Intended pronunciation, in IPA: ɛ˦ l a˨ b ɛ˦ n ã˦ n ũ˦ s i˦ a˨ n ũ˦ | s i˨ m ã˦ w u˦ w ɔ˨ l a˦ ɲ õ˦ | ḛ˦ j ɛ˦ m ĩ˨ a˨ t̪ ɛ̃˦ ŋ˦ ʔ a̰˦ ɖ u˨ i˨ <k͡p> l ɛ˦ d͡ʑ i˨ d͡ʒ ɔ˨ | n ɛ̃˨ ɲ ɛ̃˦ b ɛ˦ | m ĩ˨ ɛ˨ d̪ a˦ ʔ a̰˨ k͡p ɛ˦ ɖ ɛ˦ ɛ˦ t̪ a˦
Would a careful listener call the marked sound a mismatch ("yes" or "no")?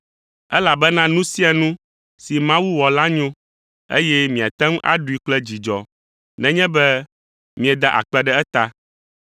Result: no